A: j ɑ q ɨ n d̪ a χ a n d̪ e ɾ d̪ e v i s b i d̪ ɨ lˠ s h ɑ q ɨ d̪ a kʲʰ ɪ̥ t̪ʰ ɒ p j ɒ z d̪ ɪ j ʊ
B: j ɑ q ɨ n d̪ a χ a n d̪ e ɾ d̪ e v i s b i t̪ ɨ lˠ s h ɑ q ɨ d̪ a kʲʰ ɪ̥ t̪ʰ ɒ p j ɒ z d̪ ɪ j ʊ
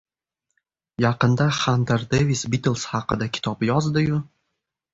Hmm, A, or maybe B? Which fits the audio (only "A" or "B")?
B